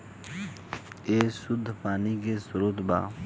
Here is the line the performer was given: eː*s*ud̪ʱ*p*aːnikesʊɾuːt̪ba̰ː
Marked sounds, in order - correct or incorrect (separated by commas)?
correct, correct